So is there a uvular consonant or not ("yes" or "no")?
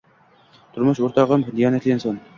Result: yes